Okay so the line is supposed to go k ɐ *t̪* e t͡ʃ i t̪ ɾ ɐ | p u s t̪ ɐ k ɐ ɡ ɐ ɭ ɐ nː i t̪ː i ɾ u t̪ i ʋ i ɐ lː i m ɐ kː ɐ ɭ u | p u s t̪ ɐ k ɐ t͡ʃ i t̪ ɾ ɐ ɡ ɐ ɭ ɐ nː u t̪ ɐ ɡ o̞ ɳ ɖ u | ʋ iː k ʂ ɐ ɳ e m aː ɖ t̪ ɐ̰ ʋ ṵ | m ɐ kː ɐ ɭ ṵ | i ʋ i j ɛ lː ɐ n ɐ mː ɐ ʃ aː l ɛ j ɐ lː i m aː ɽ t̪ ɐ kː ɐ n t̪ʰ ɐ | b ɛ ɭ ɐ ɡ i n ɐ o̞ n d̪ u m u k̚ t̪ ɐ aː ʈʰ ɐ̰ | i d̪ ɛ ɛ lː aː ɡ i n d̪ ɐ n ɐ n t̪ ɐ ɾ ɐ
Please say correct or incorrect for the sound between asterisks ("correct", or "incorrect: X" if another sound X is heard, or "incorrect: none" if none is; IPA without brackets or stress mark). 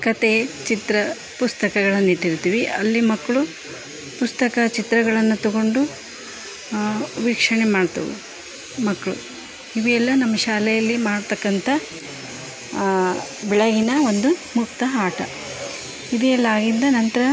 correct